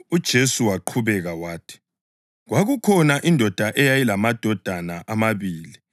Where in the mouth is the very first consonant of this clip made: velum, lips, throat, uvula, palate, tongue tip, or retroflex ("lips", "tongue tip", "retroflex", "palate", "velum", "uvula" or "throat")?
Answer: tongue tip